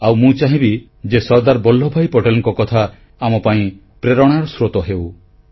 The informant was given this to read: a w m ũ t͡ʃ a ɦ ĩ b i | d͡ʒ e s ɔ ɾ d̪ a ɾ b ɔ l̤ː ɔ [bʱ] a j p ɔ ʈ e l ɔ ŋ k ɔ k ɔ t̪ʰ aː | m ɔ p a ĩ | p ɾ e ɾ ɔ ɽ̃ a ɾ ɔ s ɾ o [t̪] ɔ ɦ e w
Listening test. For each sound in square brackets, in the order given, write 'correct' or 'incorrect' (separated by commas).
correct, correct